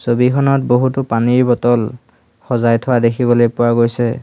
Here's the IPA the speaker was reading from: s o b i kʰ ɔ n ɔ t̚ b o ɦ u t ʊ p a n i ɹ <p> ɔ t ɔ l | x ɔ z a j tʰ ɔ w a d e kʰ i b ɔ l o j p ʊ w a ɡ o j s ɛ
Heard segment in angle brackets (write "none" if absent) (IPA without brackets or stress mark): b